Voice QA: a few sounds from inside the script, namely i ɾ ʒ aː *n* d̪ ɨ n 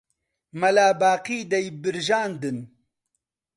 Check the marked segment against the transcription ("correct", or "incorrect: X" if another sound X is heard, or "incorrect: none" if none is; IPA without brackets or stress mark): correct